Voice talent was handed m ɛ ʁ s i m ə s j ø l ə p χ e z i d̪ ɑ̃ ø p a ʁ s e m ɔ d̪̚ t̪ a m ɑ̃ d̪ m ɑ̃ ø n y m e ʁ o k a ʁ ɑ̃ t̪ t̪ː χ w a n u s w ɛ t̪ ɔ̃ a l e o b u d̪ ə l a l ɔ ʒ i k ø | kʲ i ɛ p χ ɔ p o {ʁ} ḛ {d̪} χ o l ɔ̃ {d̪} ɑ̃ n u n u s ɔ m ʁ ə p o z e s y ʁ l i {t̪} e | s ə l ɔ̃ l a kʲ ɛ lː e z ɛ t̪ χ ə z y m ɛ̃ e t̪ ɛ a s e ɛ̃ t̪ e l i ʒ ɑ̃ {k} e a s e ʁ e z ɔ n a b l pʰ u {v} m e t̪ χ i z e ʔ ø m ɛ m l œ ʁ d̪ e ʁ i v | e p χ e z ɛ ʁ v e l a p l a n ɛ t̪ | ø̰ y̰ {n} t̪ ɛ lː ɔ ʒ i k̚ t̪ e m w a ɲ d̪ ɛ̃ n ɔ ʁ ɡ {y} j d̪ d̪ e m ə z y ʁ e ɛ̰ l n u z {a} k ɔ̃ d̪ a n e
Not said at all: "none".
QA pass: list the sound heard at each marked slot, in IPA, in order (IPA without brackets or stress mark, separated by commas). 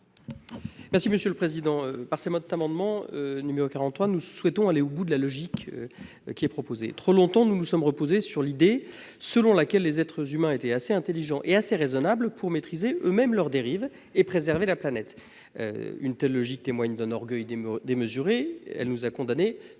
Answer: z, t̪, t̪, d̪, ʔ, ʁ, n, œ, a